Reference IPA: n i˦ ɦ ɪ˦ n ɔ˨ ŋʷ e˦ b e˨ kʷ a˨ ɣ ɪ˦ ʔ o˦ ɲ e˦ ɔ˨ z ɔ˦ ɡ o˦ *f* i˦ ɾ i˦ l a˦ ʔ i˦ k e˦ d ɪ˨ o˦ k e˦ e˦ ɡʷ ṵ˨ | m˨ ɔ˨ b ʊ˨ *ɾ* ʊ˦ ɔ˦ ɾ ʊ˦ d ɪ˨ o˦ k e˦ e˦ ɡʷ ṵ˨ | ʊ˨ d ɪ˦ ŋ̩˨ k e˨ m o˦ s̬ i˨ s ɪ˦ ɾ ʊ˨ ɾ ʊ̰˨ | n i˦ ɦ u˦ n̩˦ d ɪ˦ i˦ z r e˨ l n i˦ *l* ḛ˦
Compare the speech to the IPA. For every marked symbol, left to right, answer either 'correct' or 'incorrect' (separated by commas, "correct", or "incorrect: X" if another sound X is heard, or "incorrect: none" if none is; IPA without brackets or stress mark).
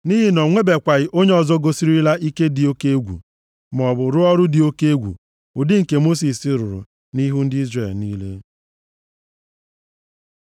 incorrect: s, correct, correct